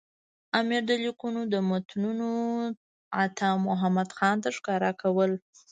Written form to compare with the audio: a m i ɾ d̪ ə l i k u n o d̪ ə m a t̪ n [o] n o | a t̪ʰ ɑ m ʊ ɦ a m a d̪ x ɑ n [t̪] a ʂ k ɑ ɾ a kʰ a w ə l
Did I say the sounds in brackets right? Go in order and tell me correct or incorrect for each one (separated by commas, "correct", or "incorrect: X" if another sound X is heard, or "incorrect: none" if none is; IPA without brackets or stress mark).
incorrect: u, correct